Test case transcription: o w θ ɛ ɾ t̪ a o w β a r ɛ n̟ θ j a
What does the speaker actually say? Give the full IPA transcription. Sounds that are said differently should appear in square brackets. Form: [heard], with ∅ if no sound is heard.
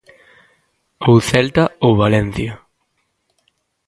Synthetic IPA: o w θ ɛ [l] t̪ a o w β a [l] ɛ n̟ θ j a